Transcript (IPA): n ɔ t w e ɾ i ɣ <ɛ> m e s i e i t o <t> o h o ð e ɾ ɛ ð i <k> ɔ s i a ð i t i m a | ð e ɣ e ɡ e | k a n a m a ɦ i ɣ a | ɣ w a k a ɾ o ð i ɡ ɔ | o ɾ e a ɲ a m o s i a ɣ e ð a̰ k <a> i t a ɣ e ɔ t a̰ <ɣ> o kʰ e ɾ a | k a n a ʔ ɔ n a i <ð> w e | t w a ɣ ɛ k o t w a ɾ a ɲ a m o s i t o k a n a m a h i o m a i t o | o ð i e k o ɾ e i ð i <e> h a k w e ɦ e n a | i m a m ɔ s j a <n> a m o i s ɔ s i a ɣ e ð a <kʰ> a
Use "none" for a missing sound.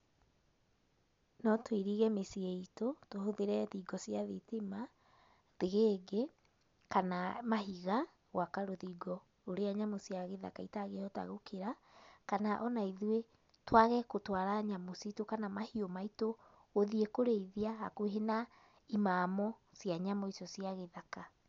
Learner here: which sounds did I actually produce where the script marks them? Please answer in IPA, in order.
ɛ, t, ɡ, a, ɣ, ð, a, ɲ, k

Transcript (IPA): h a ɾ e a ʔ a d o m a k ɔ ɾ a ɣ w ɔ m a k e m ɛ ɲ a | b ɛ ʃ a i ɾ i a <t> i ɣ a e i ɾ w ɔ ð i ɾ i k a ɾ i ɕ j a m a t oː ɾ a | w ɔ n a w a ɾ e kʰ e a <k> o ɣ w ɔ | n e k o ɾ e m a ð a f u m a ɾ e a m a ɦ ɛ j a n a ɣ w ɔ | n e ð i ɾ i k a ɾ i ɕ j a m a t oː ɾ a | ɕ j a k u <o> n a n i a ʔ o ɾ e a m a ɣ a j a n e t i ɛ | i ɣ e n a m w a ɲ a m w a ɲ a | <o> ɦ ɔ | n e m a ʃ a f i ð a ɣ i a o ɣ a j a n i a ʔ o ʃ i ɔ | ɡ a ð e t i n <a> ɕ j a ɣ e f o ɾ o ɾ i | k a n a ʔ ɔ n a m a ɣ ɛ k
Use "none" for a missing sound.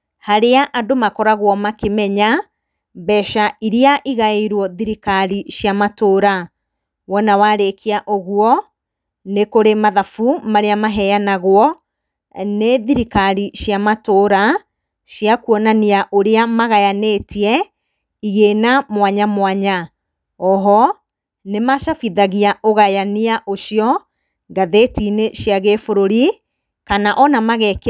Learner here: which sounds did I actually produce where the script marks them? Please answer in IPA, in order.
ʔ, ʔ, ɔ, ɔ, e

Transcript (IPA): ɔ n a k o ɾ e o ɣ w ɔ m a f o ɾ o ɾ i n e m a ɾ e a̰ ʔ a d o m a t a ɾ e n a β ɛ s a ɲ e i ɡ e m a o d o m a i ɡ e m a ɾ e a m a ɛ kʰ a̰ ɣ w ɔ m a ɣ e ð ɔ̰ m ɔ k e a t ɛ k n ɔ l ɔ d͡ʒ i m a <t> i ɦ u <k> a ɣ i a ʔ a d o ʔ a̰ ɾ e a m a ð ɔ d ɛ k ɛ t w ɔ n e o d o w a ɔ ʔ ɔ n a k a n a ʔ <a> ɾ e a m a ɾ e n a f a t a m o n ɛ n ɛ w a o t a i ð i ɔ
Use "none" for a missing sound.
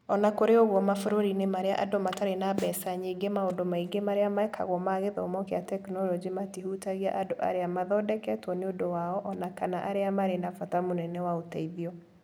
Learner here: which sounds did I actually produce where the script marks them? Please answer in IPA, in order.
t, t, a

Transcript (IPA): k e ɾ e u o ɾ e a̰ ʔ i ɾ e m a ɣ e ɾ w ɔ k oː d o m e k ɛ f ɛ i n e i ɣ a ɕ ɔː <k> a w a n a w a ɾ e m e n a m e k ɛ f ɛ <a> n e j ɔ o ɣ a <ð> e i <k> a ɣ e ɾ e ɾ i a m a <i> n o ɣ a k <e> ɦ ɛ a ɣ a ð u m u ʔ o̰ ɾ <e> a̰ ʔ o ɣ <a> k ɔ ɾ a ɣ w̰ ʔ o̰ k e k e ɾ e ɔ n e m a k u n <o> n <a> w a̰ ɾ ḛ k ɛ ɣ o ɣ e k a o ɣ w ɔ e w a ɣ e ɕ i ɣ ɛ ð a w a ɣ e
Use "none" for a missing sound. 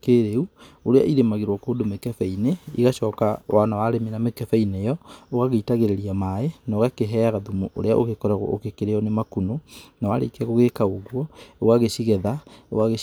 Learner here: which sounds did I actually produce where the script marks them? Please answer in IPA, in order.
k, i, ɣ, t, e, e, e, e, o, a

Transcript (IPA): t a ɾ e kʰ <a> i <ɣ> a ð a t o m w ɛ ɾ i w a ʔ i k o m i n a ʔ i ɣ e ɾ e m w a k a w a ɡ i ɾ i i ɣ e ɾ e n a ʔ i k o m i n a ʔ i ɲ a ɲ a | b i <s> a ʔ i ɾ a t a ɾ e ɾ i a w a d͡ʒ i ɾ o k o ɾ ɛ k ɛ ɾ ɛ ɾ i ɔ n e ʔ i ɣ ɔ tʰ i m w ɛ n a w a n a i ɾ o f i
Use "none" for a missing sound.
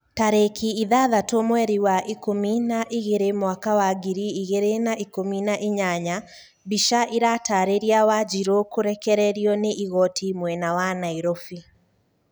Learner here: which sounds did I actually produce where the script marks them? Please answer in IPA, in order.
i, ð, ʃ

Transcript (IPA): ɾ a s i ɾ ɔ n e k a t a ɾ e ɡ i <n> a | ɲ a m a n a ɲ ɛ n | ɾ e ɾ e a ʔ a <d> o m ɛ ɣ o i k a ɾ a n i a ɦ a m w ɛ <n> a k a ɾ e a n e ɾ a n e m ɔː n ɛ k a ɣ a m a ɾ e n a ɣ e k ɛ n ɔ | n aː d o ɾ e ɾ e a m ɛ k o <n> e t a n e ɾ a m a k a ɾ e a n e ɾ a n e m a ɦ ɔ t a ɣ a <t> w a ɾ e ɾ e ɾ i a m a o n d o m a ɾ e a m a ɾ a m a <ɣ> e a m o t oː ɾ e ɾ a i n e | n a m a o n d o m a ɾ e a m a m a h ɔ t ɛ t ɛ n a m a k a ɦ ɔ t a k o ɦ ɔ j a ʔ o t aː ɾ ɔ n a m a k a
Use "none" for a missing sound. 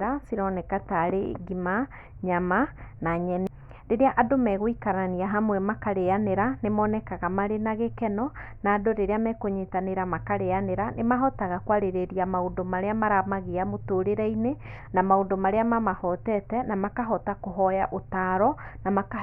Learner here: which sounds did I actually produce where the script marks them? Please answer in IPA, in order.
m, d, m, ɲ, k, ɣ

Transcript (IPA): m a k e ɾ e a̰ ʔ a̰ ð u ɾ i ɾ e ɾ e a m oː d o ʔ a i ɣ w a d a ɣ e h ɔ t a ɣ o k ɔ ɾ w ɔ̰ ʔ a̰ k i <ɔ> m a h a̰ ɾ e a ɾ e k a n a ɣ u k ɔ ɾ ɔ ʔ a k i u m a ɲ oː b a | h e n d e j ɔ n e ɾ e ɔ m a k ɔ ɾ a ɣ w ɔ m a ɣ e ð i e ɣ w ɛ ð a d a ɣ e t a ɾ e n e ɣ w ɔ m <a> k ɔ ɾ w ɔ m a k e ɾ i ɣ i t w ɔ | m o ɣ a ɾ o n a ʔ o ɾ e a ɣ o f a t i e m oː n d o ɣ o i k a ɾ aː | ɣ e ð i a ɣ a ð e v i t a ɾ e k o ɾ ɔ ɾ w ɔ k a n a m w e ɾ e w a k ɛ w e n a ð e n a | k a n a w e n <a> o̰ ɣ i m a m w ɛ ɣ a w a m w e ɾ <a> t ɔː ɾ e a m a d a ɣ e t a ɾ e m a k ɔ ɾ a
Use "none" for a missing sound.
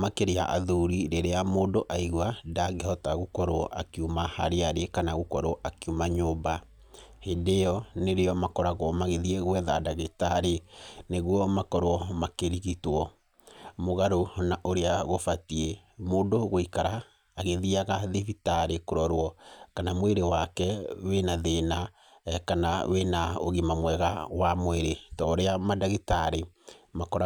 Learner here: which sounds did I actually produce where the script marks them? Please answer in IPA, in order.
u, a, a, e

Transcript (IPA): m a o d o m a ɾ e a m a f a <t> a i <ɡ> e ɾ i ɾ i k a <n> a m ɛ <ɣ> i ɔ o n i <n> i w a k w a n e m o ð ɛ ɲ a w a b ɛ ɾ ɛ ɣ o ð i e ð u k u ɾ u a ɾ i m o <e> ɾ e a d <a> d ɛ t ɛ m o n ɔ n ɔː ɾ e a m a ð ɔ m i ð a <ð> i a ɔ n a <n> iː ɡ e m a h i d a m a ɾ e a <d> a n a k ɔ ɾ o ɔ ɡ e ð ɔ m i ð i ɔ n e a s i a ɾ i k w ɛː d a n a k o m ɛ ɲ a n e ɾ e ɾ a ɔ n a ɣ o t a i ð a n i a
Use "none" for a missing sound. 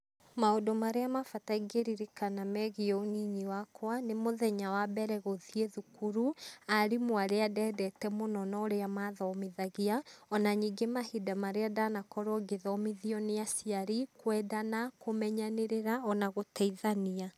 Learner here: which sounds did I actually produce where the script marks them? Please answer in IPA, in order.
t, ɡ, n, ɣ, ɲ, a, ɛ, ɣ, ɲ, d

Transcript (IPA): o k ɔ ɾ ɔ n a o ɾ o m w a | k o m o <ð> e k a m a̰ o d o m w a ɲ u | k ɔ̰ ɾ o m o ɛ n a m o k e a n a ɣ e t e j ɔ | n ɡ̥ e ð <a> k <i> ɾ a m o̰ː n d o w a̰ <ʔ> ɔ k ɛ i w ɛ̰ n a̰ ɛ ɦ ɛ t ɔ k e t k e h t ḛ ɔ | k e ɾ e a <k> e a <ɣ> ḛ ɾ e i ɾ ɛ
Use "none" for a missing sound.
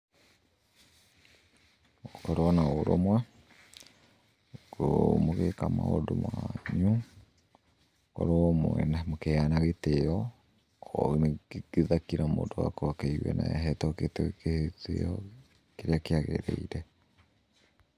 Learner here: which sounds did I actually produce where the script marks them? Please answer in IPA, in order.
ɣ, a, i, k, k, ɣ

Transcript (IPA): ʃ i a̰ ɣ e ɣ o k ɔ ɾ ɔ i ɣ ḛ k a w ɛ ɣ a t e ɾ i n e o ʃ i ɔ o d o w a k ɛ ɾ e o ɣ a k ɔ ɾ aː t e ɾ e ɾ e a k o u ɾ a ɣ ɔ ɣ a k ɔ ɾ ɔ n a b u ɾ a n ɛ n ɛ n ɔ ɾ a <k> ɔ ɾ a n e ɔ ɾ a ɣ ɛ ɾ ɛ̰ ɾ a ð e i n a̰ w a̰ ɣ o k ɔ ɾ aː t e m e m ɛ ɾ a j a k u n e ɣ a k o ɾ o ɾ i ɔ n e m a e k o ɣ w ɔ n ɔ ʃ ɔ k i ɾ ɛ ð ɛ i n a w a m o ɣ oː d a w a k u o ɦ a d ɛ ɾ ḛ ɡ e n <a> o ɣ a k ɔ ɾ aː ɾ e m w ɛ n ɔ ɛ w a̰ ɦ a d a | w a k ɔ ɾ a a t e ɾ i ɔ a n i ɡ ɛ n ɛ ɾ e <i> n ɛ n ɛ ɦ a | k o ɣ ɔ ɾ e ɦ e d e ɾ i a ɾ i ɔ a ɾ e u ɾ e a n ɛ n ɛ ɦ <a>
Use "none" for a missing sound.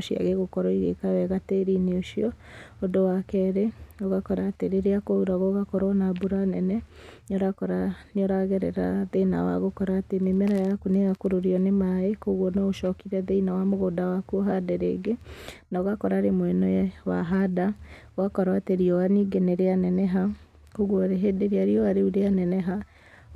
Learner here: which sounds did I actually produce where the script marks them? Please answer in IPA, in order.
k, a, a, a

